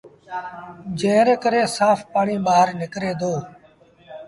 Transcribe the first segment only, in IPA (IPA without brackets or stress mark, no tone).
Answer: d͡ʒ